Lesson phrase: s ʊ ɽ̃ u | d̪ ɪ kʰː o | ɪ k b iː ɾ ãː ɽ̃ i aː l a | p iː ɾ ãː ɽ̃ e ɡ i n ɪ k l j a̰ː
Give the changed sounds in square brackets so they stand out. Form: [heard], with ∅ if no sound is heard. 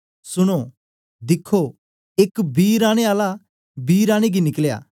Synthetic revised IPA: s ʊ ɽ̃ [o] | d̪ ɪ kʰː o | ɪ k b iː ɾ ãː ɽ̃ [e] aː l a | [b] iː ɾ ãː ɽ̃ e ɡ i n ɪ k l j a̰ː